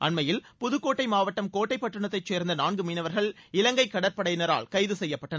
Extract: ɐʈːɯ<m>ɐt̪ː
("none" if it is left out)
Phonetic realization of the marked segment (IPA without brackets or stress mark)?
ɳ